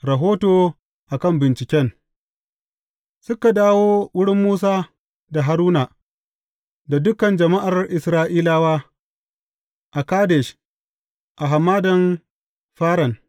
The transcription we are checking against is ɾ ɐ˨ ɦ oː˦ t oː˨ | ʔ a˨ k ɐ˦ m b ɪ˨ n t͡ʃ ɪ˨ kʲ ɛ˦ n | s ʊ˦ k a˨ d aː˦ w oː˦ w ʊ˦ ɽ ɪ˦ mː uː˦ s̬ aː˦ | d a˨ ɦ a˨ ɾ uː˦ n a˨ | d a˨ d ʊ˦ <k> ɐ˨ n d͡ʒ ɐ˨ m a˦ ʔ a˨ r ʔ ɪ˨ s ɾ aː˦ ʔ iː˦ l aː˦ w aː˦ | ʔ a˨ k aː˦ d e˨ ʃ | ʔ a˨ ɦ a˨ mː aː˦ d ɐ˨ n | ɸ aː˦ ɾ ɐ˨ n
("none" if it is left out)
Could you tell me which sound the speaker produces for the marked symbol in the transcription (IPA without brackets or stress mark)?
k